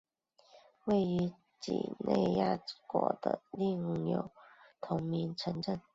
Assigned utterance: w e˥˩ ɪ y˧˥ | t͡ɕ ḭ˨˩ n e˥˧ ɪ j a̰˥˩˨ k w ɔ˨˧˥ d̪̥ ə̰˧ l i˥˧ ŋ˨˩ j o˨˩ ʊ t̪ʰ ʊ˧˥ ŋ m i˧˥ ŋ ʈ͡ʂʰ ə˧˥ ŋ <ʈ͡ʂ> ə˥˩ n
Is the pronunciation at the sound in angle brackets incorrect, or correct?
correct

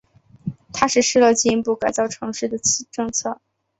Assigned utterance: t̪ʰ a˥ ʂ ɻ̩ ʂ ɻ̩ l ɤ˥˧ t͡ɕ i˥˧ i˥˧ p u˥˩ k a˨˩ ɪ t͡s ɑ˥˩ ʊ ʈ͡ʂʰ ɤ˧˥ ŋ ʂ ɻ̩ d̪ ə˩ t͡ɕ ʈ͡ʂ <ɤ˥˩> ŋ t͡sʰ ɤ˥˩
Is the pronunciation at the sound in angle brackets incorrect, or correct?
incorrect: ɤ˥˧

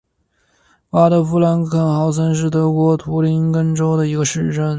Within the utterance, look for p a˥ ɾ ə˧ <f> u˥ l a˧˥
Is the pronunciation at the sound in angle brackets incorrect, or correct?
correct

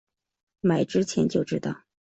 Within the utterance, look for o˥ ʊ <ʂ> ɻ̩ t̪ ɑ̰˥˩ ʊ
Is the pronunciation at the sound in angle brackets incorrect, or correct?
incorrect: ʈ͡ʂ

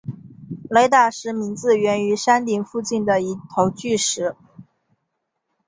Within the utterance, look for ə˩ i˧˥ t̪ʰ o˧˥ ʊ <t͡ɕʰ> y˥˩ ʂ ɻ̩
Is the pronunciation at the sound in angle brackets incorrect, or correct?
incorrect: t͡ɕ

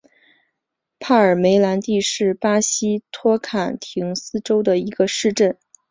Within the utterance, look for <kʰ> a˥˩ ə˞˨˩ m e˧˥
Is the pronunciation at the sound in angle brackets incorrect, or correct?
incorrect: pʰ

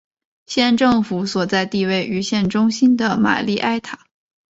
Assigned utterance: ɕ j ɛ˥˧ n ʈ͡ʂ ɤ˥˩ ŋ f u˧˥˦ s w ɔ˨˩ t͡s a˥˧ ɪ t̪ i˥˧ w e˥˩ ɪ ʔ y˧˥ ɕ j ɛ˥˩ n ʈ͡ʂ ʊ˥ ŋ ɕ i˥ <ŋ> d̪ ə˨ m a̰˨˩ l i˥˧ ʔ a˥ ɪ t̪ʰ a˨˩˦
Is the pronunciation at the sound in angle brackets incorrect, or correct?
incorrect: n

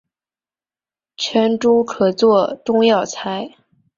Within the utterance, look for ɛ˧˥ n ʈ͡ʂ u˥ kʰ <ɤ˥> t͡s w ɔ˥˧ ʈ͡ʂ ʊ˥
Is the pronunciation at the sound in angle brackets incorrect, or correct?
incorrect: ɤ˨˩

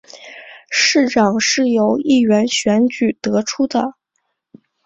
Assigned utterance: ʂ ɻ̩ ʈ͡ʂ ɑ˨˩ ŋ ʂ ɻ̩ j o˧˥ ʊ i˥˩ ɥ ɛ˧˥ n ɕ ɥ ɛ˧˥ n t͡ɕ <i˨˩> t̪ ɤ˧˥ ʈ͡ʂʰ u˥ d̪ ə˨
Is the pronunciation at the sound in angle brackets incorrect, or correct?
incorrect: y˨˩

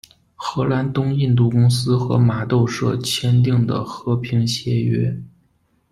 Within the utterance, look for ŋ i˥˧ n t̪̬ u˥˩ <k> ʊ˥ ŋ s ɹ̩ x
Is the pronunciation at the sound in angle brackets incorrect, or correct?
correct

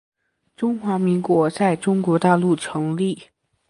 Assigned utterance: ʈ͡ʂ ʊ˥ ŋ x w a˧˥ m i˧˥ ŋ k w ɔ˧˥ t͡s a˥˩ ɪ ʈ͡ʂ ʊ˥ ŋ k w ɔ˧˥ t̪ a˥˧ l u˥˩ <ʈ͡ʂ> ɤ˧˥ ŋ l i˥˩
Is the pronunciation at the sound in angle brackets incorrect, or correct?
incorrect: ʈ͡ʂʰ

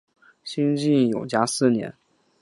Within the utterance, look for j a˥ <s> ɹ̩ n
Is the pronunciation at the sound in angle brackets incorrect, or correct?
correct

